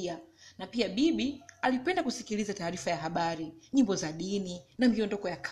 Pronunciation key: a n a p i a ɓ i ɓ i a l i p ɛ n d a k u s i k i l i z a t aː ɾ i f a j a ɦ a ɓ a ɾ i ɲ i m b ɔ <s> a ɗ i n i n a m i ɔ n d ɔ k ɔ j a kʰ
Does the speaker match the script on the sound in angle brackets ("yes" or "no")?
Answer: no